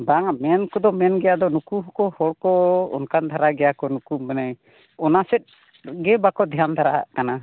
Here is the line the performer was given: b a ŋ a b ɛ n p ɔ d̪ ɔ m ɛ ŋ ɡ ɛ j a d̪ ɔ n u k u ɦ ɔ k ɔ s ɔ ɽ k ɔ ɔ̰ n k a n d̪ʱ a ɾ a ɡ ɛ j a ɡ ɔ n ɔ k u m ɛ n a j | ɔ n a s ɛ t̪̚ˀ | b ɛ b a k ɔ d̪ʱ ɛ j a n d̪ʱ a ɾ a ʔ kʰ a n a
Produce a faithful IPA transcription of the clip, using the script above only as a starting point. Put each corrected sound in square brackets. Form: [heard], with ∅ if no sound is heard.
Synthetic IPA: b a ŋ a [m] ɛ n [k] ɔ d̪ ɔ m ɛ [n] ɡ ɛ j a d̪ ɔ n u k u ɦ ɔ k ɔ [h] ɔ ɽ k ɔ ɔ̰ n k a n d̪ʱ a ɾ a ɡ ɛ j a [k] ɔ n [u] k u m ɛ n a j | ɔ n a s ɛ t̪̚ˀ | [ɡ] ɛ b a k ɔ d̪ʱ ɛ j a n d̪ʱ a ɾ a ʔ [k] a n a